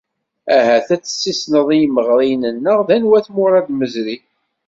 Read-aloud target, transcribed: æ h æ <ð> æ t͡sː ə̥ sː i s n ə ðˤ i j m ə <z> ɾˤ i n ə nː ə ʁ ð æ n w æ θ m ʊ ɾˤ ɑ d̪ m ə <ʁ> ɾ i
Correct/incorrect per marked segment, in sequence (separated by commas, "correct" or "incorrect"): incorrect, incorrect, incorrect